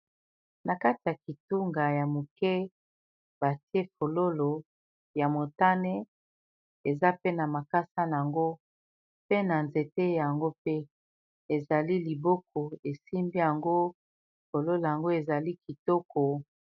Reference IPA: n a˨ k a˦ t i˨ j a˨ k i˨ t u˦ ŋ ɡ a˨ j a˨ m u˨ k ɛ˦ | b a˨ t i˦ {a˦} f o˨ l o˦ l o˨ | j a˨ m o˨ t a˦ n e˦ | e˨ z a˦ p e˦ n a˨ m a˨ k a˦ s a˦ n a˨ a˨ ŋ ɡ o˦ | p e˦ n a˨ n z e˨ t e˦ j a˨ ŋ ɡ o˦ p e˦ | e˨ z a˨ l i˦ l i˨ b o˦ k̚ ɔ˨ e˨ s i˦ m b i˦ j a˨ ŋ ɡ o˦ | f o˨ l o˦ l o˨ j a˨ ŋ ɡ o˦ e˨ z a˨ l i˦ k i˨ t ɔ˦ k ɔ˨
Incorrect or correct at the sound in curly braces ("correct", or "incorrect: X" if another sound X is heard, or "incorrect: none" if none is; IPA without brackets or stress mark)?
incorrect: e˦